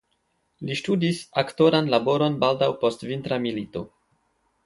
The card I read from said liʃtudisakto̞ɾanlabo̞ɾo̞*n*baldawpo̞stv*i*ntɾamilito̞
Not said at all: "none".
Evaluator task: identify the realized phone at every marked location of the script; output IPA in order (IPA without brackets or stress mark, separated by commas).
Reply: n, i